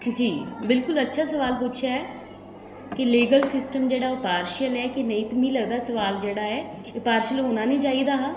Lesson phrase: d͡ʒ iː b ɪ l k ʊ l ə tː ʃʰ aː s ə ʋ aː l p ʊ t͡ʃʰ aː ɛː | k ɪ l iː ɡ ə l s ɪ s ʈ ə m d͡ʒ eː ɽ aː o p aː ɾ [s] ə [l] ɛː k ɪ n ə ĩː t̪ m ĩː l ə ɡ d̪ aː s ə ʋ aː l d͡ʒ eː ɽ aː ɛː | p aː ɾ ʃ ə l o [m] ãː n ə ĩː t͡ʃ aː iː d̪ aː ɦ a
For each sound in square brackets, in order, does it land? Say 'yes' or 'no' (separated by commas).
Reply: no, yes, no